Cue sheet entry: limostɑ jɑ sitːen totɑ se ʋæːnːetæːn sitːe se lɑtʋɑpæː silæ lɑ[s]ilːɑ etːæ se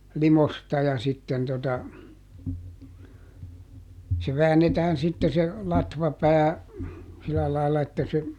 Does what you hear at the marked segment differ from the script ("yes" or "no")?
yes